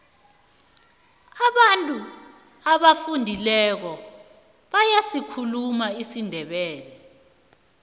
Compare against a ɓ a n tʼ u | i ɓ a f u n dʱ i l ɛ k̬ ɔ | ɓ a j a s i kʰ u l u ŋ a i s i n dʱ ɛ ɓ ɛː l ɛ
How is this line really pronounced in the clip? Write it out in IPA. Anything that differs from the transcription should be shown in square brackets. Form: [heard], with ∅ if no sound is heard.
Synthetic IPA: a ɓ a n tʼ u | [a] ɓ a f u n dʱ i l ɛ k̬ ɔ | ɓ a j a s i kʰ u l u [m] a i s i n dʱ ɛ ɓ ɛː l ɛ